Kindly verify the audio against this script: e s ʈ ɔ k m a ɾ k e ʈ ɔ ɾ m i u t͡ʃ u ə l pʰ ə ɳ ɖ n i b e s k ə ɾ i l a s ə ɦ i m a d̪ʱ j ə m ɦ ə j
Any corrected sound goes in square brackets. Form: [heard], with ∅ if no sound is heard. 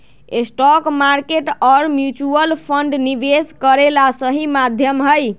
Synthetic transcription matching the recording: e s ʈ ɔ k m a ɾ k e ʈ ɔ ɾ m [j] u t͡ʃ u ə l pʰ ə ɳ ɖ n i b e s k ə ɾ [e] l a s ə ɦ i m a d̪ʱ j ə m ɦ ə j

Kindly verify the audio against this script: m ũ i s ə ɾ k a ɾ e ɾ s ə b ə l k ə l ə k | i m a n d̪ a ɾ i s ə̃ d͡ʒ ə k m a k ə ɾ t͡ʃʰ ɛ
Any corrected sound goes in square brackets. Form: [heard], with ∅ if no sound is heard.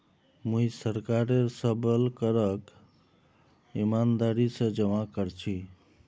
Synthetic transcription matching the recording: m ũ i s ə ɾ k a ɾ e ɾ s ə b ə l k ə [ɾ] ə k | i m a n d̪ a ɾ i s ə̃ d͡ʒ ə [∅] m a k ə ɾ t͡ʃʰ [i]

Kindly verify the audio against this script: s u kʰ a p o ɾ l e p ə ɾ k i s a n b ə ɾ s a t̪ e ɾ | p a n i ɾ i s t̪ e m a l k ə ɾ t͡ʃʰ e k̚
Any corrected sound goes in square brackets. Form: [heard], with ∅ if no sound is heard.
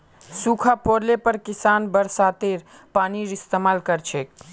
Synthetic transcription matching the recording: s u kʰ a p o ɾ l e p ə ɾ k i s a n b ə ɾ s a t̪ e ɾ | p a n i ɾ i s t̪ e m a l k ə ɾ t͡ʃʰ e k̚

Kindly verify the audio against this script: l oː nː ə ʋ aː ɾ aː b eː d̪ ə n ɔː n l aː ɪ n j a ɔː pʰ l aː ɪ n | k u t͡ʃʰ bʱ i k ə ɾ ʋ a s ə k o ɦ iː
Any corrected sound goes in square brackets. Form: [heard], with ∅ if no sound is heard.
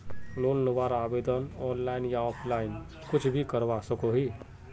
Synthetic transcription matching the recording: l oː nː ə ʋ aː ɾ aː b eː d̪ ə n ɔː n l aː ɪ n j a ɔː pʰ l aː ɪ n | k [ʊ] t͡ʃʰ bʱ i k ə ɾ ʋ a s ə k o ɦ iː

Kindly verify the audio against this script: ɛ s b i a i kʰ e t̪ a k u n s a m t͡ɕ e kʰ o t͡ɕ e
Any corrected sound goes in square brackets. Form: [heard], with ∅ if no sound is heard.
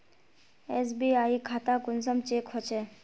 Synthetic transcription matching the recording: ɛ s b i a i kʰ [a] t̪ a k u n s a m t͡ɕ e kʰ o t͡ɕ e

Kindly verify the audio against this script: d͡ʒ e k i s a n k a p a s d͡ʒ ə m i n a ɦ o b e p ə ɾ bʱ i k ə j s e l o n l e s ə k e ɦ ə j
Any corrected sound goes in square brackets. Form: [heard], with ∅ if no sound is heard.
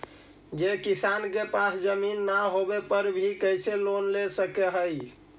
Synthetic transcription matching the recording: d͡ʒ e k i s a n k [e] p a s d͡ʒ ə m i [nː] a ɦ o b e p ə ɾ bʱ i k ə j s e l o n l e s ə k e ɦ ə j

